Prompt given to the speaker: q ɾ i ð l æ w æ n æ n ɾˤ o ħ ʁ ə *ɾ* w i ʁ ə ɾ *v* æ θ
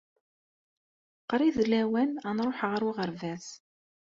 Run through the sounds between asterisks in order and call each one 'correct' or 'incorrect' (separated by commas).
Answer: correct, correct